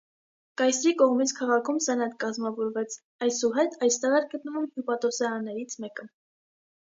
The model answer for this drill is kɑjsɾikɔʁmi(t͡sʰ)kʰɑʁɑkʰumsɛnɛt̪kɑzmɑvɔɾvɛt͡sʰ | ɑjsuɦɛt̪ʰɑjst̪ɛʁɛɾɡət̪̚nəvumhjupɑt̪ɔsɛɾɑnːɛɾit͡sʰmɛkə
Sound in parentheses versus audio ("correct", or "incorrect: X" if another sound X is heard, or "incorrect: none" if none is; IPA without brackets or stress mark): correct